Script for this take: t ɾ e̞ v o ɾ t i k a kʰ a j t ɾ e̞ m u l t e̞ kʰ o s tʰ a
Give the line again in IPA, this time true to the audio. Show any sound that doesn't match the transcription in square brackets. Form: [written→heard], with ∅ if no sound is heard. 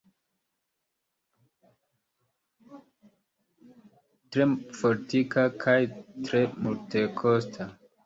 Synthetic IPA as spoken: t ɾ e̞ [v→f] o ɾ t i k a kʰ a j t ɾ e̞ m u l t e̞ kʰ o s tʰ a